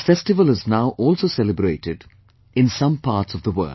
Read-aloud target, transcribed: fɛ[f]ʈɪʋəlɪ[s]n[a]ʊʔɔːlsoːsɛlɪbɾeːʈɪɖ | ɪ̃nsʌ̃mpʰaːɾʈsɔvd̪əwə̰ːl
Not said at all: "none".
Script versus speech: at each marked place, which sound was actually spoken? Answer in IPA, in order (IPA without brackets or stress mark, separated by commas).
s, z, a